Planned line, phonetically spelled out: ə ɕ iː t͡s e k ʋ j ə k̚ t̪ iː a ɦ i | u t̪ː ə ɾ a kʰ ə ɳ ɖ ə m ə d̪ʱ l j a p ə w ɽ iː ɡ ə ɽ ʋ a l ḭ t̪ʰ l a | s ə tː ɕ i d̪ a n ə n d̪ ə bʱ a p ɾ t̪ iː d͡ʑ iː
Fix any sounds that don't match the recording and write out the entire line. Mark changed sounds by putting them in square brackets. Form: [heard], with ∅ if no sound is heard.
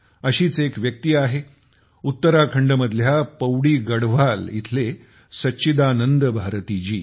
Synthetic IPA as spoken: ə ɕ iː t͡s e k ʋ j ə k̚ t̪ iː a ɦ [e] | u t̪ː ə ɾ a kʰ ə ɳ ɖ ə m ə d̪ʱ l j a p ə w ɽ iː ɡ ə ɽ ʋ a l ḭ t̪ʰ l [e] | s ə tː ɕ i d̪ a n ə n d̪ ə bʱ a [∅] ɾ t̪ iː d͡ʑ iː